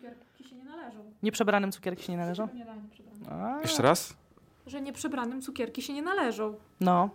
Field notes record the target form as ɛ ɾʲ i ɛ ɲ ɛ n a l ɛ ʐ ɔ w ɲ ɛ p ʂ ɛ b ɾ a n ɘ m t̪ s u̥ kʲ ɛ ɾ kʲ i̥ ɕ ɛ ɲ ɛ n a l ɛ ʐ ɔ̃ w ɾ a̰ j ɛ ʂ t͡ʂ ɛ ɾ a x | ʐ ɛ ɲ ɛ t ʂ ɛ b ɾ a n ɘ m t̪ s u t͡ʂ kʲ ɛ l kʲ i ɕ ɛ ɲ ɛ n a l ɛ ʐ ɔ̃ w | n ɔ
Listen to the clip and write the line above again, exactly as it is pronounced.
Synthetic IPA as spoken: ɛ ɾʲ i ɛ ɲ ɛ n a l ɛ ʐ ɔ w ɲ ɛ p ʂ ɛ b ɾ a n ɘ m t̪ s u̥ kʲ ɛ ɾ kʲ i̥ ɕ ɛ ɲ ɛ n a l ɛ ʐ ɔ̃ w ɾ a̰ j ɛ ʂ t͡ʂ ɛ ɾ a s | ʐ ɛ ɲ ɛ p ʂ ɛ b ɾ a n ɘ m t̪ s u kʲ ɛ ɾ kʲ i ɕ ɛ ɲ ɛ n a l ɛ ʐ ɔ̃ w | n ɔ